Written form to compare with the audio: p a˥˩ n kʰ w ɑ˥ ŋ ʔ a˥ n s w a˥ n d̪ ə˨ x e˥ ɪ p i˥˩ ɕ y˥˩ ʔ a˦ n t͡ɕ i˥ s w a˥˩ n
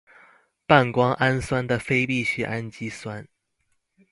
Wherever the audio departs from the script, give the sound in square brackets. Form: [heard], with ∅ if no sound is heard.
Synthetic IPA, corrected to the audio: p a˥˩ n [k] w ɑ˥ ŋ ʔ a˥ n s w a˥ n d̪ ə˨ [f] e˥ ɪ p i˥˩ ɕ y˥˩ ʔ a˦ n t͡ɕ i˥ s w [a˦˥] n